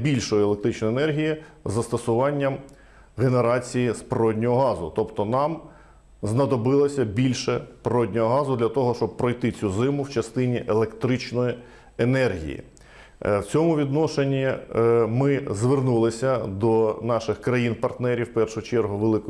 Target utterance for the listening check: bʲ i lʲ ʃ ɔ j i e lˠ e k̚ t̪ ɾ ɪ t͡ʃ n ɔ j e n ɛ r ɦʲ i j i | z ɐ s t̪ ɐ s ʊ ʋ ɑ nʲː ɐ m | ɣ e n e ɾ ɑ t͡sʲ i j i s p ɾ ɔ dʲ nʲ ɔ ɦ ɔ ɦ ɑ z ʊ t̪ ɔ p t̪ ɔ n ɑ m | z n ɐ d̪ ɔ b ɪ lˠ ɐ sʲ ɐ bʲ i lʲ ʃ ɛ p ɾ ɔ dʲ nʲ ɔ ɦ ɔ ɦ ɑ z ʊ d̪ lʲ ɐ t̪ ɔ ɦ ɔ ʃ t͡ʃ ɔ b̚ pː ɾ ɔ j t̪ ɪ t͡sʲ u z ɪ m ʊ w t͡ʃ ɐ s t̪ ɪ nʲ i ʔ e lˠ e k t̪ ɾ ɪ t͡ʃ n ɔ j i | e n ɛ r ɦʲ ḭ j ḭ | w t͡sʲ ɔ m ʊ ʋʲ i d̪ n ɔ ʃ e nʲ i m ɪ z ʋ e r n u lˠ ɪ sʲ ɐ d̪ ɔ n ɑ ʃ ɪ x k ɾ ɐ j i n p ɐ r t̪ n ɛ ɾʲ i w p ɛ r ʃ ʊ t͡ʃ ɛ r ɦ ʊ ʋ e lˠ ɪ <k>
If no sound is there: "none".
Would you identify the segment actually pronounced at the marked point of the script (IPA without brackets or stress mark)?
k